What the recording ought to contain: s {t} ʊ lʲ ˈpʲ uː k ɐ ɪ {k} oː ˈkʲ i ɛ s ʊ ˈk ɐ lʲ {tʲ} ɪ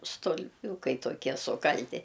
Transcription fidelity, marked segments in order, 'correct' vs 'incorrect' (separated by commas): correct, incorrect, correct